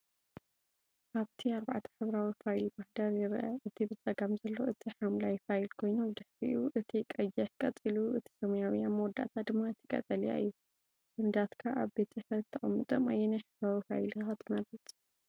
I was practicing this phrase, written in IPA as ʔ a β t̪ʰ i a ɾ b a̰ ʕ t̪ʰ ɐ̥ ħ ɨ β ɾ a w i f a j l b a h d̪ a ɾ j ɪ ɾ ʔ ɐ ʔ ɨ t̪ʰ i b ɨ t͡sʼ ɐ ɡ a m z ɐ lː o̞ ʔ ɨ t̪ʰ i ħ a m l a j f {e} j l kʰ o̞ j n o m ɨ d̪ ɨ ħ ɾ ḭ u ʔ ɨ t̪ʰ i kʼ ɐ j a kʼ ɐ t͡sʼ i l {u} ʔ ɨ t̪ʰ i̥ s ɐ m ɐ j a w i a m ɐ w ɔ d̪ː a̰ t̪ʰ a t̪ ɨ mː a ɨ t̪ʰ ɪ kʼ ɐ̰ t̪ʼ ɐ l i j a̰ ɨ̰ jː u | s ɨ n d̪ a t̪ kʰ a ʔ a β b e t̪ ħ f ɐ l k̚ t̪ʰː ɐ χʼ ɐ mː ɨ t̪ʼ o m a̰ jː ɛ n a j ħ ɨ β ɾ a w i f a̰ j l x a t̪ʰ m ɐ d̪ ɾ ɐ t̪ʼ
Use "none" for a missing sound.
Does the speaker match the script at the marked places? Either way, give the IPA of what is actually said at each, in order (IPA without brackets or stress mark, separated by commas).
a, u